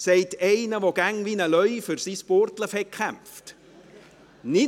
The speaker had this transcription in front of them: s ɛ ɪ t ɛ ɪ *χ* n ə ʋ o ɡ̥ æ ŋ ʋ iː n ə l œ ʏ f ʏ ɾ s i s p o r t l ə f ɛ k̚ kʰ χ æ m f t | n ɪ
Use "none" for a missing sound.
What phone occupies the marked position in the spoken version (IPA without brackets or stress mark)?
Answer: none